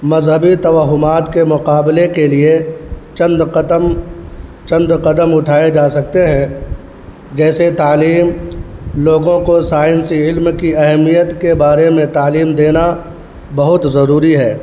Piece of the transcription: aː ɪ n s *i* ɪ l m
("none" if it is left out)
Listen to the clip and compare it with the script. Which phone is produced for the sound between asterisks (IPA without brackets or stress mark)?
i